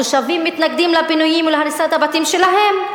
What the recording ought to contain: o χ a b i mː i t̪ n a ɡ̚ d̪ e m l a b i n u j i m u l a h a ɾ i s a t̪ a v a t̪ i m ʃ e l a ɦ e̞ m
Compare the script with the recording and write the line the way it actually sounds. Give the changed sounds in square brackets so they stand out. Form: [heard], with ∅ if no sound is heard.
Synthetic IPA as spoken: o [ʃ] a [v] i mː i t̪ n a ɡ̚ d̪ [i] m l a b i n u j i m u l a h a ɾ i s a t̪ a [b] a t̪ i m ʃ e l a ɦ e̞ m